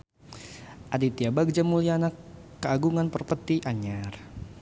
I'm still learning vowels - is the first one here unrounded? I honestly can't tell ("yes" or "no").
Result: yes